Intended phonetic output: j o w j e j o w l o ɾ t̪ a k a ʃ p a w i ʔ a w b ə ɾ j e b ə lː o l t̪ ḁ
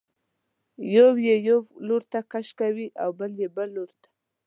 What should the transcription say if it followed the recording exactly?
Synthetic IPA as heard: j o w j e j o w l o ɾ t̪ a k a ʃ k a w i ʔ a w b ə l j e b ə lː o ɾ t̪ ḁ